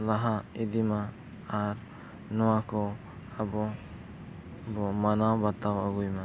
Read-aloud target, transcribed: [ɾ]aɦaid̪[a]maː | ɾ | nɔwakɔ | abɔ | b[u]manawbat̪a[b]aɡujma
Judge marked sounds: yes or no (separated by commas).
no, no, no, no